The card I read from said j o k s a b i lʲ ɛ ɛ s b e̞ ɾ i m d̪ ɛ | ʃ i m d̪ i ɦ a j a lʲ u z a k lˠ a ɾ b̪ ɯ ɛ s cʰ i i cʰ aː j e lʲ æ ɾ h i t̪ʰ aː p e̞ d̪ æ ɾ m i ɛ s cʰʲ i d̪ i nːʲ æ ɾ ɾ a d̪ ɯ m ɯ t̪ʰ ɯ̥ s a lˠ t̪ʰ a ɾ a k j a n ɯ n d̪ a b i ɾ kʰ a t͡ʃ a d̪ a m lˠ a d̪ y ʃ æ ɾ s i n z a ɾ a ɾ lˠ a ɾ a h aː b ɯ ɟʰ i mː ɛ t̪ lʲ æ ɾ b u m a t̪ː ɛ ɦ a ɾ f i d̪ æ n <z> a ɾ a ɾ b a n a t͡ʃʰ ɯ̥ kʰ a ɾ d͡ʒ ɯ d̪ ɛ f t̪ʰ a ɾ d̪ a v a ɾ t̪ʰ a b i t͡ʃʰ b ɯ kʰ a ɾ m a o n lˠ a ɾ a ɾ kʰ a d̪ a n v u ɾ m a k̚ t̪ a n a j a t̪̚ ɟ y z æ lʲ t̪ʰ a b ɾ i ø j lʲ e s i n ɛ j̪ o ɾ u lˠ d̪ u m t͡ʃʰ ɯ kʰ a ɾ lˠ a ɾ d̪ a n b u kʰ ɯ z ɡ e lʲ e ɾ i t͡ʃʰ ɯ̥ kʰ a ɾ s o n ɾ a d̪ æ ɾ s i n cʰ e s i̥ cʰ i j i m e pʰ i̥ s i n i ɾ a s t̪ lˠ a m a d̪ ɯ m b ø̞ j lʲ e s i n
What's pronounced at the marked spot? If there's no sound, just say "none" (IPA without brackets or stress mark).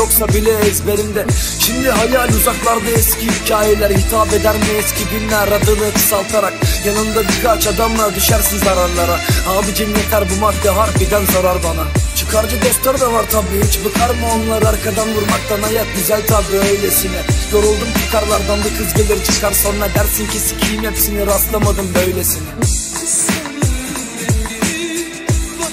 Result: z